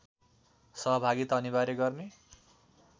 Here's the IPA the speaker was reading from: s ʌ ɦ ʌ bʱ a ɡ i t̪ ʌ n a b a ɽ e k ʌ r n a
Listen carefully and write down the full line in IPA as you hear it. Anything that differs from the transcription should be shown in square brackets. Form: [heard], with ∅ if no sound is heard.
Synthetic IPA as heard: s ʌ ɦ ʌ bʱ a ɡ i t̪ ʌ n [i] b a [ɾ] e [ɡ] ʌ r n [e]